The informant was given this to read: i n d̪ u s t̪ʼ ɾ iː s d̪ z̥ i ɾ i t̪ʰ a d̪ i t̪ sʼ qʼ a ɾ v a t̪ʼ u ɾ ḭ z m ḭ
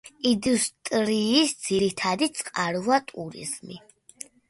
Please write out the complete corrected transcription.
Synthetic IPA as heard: i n d̪ u s t̪ʼ ɾ iː s d̪ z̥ i ɾ i t̪ʰ a d̪ i t̪ sʼ qʼ a ɾ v a t̪ʼ u ɾ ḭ z m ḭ